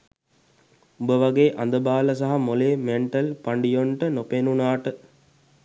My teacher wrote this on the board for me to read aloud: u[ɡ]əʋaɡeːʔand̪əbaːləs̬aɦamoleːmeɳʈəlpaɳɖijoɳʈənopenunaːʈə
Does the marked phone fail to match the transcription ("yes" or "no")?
yes